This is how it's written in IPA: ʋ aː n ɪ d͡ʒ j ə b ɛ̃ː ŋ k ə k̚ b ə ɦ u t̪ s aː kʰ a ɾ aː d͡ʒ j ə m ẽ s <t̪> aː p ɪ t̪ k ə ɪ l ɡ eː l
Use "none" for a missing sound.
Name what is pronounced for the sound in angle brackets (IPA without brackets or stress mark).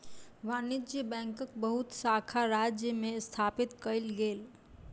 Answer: t̪ʰ